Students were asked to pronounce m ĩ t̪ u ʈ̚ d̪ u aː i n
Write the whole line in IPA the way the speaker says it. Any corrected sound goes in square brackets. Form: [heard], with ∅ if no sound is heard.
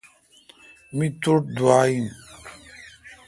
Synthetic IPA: m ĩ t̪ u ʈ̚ d̪ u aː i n